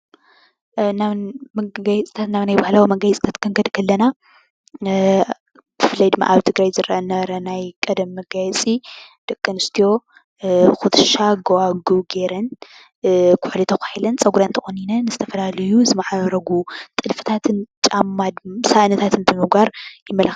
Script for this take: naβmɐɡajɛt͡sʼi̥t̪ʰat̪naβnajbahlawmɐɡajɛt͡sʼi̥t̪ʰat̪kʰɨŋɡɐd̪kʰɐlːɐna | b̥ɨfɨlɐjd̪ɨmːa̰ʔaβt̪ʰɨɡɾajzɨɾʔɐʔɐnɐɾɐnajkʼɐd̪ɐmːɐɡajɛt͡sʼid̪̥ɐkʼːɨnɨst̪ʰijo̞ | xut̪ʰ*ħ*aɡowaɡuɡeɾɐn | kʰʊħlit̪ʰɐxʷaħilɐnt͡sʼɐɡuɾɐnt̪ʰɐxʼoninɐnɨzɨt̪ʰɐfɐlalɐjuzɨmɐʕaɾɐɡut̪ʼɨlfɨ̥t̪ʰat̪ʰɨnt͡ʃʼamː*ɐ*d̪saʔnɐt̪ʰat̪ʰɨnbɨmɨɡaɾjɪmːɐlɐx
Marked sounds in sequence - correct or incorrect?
incorrect: ʃ, incorrect: a

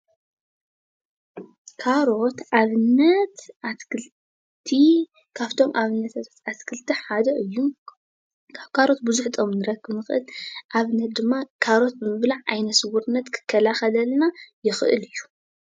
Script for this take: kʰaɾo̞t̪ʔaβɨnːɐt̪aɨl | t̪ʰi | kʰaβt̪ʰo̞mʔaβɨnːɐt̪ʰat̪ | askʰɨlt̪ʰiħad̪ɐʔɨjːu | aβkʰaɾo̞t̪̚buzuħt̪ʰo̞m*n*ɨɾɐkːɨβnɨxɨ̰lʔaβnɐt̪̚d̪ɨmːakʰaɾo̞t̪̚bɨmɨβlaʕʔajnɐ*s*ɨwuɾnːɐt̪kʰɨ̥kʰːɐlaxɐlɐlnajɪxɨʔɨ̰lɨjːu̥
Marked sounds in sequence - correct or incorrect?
correct, correct

